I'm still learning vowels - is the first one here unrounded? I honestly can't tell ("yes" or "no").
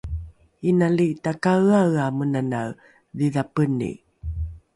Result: yes